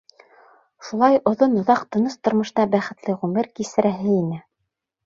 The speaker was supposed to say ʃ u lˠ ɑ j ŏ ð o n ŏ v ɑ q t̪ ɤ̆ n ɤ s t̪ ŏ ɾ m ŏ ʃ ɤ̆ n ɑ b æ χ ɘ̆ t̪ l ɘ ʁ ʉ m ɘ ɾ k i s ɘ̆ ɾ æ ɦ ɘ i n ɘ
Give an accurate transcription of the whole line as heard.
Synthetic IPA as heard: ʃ u lˠ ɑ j ŏ ð o n ŏ ð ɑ q t̪ ɤ̆ n ɤ s t̪ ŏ ɾ m ɤ̆ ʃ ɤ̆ n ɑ b æ χ ɘ̆ t̪ l ɘ ʁ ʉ m ɘ ɾ k i s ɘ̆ ɾ æ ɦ ɘ i n ɘ